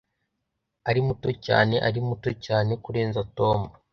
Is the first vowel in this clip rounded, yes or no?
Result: no